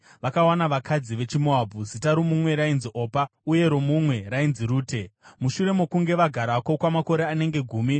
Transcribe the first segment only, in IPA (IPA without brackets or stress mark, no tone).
ʋ